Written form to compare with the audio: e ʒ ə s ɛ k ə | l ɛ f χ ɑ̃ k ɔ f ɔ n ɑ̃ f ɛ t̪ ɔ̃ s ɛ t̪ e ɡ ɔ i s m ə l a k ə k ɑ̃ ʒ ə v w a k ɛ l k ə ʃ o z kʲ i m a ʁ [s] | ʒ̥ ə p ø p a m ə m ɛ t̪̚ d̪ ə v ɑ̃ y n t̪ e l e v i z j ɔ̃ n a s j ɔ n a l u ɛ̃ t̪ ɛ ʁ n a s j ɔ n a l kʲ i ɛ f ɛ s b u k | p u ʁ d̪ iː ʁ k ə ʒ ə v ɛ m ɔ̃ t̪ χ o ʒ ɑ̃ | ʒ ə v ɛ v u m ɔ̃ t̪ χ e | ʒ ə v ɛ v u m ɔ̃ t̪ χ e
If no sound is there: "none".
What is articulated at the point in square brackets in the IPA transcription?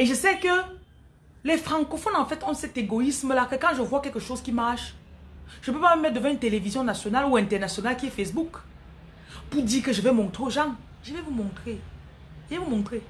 ʃ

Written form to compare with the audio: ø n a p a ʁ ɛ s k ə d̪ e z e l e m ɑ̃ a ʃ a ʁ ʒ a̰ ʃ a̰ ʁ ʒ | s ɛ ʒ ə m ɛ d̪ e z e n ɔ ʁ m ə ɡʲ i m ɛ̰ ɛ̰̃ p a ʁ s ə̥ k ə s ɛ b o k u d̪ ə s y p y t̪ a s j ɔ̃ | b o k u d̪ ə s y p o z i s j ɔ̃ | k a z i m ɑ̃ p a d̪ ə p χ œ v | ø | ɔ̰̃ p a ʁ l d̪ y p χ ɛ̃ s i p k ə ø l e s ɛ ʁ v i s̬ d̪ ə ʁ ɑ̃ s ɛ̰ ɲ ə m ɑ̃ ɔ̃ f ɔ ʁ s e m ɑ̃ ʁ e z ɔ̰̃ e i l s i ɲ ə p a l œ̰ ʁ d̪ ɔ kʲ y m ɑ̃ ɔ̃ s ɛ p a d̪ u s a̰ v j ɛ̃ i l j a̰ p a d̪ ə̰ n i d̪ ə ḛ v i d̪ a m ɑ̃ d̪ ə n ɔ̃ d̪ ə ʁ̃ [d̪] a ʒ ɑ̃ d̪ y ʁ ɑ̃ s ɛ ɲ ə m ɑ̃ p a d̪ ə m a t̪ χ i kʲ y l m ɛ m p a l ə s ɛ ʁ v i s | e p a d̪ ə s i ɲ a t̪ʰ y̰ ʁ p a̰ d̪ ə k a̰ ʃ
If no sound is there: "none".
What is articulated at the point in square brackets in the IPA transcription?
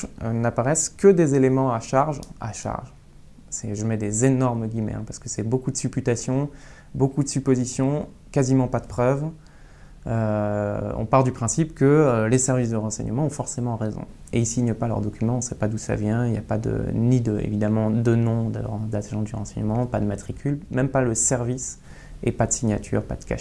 d̪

